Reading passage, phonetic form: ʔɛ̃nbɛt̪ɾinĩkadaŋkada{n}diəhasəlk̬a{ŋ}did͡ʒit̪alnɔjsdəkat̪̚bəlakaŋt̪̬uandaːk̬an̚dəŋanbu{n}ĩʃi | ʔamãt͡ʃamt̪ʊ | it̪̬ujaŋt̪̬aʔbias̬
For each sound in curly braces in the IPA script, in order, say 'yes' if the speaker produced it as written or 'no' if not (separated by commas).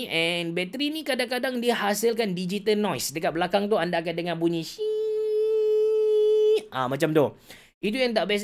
no, no, no